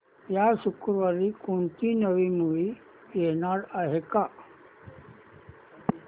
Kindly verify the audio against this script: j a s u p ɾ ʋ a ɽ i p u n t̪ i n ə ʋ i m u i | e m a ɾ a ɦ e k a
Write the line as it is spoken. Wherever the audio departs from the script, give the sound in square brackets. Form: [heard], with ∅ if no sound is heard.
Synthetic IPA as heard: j a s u [k] ɾ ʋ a [ɾ] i [k] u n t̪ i n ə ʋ i m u i | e [n] a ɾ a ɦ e k a

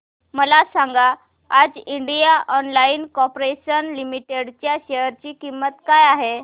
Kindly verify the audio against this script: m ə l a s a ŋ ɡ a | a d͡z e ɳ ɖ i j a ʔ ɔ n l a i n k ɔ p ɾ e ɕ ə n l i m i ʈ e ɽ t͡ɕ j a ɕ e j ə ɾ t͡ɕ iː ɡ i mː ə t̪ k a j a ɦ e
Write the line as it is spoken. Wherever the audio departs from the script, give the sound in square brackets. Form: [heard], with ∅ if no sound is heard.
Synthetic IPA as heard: m ə l a s a ŋ ɡ a | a d͡z [i] ɳ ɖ i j a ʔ ɔ n l a i n k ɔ p ɾ e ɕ ə n l i m i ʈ e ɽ t͡ɕ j a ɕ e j ə ɾ t͡ɕ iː [k] i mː ə t̪ k a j a ɦ e

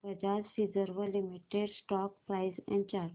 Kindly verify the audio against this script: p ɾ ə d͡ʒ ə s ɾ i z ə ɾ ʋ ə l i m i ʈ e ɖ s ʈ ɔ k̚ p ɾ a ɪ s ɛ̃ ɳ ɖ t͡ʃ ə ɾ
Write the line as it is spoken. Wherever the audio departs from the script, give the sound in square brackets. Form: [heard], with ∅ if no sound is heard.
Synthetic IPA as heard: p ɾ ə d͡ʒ [a] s ɾ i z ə ɾ ʋ ə l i m i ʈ e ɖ s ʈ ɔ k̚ p ɾ a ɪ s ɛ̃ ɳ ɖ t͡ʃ [a] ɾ

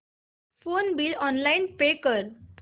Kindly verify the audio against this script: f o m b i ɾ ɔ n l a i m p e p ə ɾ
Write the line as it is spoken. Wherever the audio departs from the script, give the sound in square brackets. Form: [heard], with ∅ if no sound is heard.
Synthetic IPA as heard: f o [n] b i [l] ɔ n l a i [n] p e [k] ə ɾ

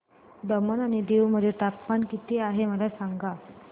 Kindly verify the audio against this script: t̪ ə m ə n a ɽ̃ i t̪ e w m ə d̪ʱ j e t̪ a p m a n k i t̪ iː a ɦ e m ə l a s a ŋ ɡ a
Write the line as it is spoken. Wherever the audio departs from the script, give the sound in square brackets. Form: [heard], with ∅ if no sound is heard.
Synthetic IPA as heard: [d̪] ə m ə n a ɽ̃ i [d̪] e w m ə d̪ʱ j e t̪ a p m a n k i t̪ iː a ɦ e m ə l a s a ŋ ɡ a

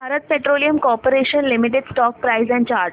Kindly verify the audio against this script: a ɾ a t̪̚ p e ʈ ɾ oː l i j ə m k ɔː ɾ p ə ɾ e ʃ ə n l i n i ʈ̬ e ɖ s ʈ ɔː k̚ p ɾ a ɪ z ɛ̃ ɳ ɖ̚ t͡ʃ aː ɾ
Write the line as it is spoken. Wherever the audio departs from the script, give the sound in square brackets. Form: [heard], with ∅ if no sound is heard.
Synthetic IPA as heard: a ɾ [ə] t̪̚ p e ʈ ɾ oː l i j ə m k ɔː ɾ p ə ɾ e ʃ ə n l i [m] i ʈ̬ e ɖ s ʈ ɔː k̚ p ɾ a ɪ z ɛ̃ ɳ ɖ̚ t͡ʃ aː ɾ

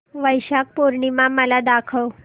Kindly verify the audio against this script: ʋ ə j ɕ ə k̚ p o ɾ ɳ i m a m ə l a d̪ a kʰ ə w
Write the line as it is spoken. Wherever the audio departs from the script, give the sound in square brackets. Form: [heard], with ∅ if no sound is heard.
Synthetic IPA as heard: ʋ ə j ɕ [a] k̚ p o ɾ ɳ i m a m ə l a d̪ a kʰ ə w

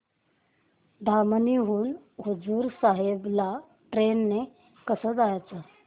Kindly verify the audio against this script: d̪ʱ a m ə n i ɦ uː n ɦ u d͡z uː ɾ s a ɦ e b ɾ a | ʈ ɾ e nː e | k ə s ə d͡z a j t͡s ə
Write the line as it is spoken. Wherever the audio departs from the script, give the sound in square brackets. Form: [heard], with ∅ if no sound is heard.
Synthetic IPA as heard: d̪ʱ a m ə n i ɦ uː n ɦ u d͡z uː ɾ s a ɦ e b [l] a | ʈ ɾ e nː e | k ə s ə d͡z a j t͡s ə

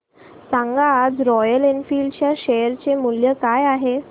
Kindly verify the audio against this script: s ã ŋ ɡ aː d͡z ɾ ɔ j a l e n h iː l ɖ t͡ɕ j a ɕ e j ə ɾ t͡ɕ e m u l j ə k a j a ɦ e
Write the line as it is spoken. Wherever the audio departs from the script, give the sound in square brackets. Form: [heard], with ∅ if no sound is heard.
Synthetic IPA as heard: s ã ŋ ɡ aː d͡z ɾ ɔ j [ə] l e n [f] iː l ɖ t͡ɕ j a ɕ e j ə ɾ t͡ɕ e m u l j ə k a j a ɦ e

